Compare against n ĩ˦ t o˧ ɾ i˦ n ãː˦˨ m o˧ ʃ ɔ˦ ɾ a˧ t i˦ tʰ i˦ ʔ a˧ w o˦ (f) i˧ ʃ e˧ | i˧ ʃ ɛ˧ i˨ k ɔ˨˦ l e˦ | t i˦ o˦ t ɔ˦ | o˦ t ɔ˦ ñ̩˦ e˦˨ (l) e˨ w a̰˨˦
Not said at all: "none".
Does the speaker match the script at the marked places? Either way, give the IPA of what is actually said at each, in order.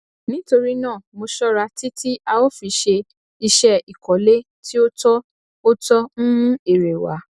f, ɾ

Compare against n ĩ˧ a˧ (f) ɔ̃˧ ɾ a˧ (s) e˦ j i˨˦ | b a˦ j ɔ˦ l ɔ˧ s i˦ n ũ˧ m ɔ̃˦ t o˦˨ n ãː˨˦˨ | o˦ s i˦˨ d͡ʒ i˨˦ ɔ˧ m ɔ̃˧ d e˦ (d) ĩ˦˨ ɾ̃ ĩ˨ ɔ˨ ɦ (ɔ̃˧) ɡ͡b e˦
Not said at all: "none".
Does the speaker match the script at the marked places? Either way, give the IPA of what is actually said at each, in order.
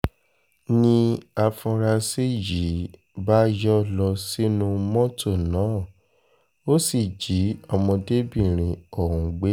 f, s, b, ũ˧

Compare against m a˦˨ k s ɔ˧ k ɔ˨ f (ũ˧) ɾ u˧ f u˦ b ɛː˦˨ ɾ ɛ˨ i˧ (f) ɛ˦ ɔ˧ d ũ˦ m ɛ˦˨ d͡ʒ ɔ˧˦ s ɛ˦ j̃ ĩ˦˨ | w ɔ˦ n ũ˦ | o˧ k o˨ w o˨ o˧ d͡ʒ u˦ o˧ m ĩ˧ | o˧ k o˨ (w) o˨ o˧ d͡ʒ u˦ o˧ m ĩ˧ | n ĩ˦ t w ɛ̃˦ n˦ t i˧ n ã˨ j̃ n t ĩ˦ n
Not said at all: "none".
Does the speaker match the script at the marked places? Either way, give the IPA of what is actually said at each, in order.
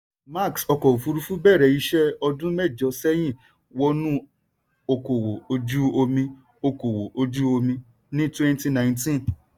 u˧, ʃ, w

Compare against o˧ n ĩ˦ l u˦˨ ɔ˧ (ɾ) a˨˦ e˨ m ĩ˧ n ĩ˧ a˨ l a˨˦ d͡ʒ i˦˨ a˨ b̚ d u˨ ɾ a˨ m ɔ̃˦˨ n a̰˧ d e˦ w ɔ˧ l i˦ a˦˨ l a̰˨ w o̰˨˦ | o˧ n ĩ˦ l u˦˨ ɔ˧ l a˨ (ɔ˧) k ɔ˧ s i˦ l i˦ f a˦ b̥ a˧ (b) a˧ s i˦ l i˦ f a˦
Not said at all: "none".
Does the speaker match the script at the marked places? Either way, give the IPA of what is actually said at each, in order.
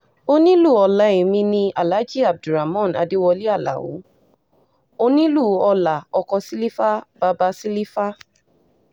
l, ɔ˧, b

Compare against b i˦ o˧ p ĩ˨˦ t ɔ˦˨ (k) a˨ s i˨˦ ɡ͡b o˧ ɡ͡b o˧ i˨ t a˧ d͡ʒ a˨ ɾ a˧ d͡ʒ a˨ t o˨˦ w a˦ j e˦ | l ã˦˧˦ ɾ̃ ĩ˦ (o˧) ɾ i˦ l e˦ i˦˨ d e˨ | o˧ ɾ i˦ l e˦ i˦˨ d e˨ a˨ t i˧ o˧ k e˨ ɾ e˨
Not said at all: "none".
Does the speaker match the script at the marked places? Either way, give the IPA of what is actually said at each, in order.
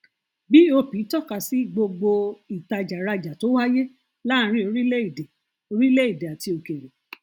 k, o˧

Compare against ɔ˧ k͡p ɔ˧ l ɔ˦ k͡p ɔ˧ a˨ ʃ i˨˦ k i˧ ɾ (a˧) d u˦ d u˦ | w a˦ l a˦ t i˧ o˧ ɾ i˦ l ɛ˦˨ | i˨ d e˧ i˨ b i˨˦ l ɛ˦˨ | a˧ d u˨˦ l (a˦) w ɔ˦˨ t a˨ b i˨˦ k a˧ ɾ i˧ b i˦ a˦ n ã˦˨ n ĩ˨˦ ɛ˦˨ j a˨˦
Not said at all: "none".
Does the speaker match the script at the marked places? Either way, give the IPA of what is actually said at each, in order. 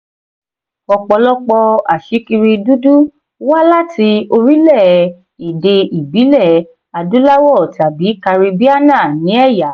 i˧, a˦

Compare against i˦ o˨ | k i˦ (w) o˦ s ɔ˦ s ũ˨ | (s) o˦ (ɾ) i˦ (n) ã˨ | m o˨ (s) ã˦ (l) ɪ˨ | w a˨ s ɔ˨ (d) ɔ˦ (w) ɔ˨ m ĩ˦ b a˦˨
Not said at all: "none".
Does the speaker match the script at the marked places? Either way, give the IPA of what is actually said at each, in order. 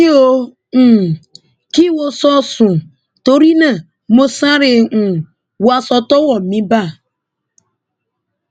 w, t, ɾ, n, s, ɾ, t, w

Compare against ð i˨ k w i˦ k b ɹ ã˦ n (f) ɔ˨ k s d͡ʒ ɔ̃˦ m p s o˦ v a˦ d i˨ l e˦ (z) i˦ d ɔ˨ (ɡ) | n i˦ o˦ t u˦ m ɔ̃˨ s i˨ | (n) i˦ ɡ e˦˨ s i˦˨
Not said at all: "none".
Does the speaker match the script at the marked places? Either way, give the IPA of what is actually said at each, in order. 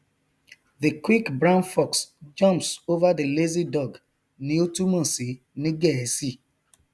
f, z, ɡ, n

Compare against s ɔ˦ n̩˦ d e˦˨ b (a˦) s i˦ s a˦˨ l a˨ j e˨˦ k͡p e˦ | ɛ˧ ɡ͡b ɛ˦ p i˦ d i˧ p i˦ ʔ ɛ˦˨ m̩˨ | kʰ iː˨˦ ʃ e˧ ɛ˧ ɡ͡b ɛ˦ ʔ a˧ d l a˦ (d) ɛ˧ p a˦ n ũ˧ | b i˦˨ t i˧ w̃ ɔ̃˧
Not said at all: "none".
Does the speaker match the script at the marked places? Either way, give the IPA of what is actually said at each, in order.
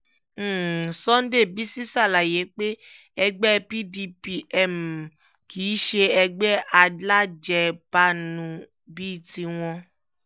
i˦, d͡ʒ

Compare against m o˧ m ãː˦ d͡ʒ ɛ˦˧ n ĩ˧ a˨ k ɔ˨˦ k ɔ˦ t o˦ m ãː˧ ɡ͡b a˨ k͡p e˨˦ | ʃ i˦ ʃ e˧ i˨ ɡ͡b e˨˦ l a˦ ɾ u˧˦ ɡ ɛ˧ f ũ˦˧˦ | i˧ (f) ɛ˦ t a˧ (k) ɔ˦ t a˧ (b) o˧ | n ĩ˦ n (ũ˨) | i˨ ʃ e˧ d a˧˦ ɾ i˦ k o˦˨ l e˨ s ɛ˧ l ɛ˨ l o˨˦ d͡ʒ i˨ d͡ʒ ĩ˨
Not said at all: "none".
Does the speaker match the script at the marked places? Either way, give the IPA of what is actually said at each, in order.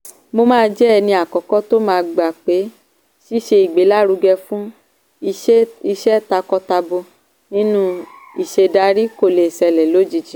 ʃ, k, b, ũ˦

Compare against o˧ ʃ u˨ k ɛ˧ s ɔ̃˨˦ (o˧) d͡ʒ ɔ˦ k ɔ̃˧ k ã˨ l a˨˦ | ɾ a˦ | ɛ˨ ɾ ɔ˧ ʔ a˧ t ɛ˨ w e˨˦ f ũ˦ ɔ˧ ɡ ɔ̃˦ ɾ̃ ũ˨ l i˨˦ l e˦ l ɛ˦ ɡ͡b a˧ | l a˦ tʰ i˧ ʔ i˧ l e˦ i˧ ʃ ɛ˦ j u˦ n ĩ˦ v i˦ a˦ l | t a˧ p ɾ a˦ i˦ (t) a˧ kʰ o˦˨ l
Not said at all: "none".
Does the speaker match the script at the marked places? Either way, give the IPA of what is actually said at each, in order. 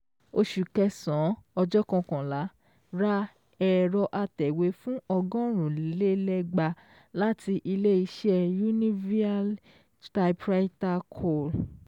ɔ˧, t

